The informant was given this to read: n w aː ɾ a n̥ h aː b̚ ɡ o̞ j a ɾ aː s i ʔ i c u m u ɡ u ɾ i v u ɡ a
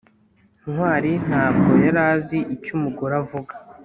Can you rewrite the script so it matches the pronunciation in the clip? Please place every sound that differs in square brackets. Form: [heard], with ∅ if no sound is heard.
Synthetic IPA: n w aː ɾ [i] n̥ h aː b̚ ɡ o̞ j a ɾ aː [z] i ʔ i c u m u ɡ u ɾ [a] v u ɡ a